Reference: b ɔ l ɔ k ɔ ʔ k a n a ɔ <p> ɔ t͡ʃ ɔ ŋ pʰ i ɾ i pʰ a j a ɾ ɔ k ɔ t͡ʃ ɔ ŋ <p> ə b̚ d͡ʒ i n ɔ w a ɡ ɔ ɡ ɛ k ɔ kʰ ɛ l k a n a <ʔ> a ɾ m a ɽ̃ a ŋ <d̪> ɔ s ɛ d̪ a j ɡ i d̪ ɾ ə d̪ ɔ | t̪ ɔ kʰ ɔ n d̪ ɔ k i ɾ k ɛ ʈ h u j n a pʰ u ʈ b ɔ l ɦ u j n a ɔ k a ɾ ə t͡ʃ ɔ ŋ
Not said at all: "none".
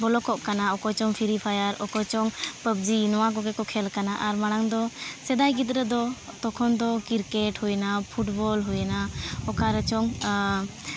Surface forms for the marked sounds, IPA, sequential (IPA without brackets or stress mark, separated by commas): k, p, ʔ, d̪